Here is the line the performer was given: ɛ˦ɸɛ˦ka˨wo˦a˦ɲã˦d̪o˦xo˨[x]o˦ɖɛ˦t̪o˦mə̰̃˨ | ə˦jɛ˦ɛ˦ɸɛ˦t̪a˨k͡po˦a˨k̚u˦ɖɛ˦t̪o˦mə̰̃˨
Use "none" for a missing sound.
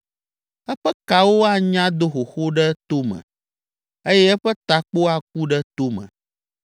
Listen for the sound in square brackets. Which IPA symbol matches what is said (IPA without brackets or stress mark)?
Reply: x